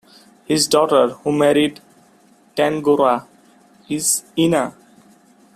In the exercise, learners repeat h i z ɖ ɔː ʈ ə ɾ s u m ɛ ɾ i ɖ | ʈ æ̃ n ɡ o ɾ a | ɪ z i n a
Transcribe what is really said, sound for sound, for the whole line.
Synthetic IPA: h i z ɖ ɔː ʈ ə ɾ h u m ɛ ɾ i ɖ | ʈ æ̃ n ɡ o ɾ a | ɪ z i n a